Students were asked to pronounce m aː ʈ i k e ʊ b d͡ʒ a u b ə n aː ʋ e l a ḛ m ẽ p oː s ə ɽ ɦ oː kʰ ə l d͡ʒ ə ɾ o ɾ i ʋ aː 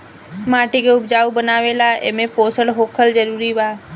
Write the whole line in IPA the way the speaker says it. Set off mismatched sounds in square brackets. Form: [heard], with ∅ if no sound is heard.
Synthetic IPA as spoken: m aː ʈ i k e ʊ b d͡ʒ a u b ə n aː ʋ e l a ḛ m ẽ p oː s ə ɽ ɦ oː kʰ ə l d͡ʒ ə ɾ [u] ɾ i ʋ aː

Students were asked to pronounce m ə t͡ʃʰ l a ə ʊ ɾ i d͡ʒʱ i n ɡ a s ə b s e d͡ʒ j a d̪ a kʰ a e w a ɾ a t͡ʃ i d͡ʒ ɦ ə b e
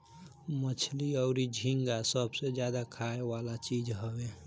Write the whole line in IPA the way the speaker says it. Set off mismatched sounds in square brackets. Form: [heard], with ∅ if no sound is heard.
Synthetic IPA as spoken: m ə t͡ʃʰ l [i] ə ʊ ɾ i d͡ʒʱ i [ŋ] ɡ a s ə b s e d͡ʒ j a d̪ a kʰ a e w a [l] a t͡ʃ i d͡ʒ ɦ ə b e

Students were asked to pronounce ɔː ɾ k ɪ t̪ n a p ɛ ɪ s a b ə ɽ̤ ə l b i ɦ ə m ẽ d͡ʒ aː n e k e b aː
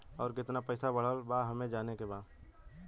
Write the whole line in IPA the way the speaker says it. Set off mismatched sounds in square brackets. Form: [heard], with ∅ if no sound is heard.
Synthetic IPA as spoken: ɔː ɾ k ɪ t̪ n a p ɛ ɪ s a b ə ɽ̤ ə l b [a] ɦ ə m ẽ d͡ʒ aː n e k e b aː

